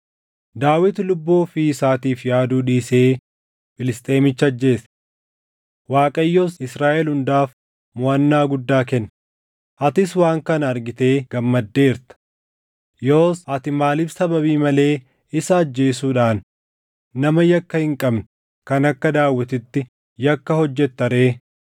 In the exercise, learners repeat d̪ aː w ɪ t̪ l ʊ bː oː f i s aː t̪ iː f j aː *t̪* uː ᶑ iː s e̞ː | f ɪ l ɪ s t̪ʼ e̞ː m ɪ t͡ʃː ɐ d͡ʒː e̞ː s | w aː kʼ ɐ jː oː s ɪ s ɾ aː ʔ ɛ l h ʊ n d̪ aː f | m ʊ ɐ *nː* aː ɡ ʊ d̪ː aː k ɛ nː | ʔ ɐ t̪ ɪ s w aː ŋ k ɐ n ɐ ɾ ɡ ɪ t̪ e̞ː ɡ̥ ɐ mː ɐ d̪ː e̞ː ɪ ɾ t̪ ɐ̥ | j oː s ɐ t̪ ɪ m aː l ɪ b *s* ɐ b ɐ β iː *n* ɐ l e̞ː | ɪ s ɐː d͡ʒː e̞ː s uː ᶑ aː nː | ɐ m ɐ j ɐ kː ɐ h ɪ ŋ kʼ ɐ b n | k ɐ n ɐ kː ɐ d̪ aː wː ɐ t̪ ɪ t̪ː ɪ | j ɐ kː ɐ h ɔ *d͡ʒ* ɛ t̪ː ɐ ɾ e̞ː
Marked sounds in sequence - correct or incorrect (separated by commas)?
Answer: incorrect, correct, correct, incorrect, incorrect